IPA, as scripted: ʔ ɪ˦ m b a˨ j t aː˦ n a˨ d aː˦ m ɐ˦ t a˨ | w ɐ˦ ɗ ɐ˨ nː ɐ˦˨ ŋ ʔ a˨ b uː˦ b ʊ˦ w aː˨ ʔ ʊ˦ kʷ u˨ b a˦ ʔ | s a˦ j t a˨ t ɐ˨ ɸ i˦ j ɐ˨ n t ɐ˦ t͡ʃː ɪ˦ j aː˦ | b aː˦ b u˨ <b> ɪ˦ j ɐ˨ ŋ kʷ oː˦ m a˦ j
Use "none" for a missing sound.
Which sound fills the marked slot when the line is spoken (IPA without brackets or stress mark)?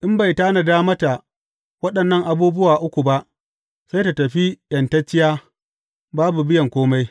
b